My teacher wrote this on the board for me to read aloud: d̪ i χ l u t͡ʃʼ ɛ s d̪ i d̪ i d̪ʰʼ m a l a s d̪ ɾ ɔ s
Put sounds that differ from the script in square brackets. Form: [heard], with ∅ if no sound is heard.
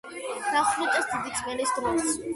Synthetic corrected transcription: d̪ [a] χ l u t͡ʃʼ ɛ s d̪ i d̪ i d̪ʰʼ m [ɛ] l [i] s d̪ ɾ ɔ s